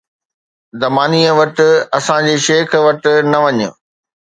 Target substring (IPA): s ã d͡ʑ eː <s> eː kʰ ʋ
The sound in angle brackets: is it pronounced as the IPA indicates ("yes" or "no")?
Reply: no